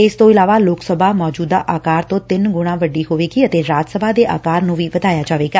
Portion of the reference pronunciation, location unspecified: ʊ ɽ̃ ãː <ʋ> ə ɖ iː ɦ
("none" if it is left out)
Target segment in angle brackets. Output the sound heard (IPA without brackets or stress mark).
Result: ʋ